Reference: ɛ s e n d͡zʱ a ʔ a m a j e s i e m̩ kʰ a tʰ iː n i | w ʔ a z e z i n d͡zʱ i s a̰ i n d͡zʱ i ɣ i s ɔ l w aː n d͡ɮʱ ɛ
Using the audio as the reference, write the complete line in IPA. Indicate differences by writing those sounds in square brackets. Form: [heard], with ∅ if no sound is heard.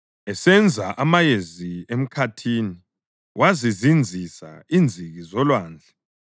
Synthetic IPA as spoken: ɛ s [ɛ] n d͡zʱ a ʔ a m a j e [z] i e m̩ kʰ a tʰ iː n i | w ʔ a z [i] z i n d͡zʱ i s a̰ i n d͡zʱ i ɣ i [z] ɔ l w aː n d͡ɮʱ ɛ